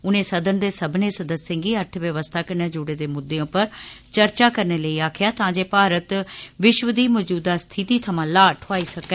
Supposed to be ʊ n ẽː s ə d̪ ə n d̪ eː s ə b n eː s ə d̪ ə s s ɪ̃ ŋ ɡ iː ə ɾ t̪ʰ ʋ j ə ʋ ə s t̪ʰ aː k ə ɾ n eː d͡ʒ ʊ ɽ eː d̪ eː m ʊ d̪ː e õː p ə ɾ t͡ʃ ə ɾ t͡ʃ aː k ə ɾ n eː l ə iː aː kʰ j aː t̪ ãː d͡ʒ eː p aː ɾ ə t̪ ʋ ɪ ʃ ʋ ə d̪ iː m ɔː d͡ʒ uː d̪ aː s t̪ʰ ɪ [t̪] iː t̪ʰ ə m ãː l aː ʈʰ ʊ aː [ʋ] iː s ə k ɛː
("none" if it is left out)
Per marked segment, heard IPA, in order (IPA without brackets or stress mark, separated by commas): t̪, none